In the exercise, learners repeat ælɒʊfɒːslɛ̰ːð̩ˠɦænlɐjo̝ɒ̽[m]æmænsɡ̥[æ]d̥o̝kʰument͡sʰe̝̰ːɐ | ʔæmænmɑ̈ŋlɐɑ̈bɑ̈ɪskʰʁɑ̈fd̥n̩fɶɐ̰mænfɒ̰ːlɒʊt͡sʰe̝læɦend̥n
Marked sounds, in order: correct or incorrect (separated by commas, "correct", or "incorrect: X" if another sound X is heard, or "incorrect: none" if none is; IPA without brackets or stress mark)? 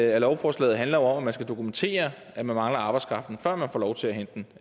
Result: correct, correct